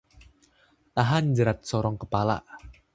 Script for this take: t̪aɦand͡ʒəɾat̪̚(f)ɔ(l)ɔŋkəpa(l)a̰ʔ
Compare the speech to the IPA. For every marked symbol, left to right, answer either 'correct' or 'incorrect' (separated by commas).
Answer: incorrect, incorrect, correct